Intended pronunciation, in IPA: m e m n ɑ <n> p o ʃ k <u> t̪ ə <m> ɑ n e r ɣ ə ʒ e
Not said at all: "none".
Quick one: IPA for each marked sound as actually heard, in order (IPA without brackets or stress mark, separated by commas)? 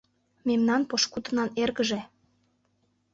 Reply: n, u, n